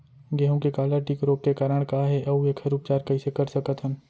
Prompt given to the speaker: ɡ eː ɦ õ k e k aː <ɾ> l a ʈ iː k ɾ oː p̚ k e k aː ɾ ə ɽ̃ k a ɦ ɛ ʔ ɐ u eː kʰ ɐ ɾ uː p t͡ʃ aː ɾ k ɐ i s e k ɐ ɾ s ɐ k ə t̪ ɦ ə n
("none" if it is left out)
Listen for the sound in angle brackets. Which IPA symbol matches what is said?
none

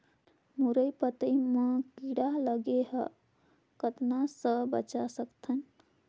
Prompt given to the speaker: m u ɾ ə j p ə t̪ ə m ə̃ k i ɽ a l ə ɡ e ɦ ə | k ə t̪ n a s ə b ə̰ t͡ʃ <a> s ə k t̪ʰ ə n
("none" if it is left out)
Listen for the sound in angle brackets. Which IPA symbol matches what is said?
a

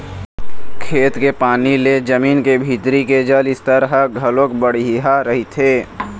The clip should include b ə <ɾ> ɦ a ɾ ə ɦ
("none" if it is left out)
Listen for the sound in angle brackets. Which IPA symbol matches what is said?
ɽ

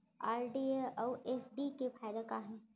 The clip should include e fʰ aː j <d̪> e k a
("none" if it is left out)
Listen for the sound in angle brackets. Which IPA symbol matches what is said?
d̪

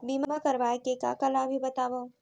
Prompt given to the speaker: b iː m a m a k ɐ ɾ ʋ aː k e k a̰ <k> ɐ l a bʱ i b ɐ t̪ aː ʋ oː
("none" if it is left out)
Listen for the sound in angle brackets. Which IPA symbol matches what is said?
k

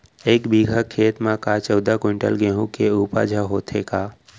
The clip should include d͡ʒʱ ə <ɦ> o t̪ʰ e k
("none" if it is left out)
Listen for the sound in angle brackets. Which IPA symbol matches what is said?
ɦ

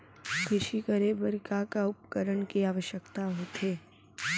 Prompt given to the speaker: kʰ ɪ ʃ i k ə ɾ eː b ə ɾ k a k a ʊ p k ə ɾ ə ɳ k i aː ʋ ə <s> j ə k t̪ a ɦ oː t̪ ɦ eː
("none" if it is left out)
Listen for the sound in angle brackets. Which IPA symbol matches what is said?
ʃ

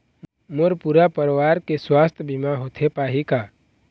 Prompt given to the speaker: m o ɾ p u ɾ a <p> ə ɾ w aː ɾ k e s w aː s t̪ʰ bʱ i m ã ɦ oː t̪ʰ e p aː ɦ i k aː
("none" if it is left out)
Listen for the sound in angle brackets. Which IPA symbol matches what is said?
p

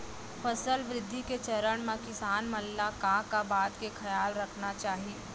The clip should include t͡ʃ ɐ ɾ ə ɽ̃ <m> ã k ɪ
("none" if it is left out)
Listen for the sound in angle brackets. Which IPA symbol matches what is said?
m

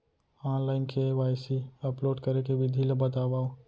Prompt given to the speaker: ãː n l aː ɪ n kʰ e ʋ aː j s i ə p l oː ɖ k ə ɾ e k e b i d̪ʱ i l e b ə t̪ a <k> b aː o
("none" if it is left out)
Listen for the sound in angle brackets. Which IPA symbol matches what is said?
none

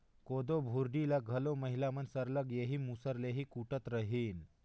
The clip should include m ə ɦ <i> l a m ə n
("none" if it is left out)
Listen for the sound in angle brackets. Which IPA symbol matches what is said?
i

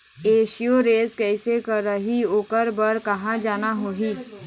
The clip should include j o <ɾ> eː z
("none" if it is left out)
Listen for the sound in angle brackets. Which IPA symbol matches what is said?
ɾ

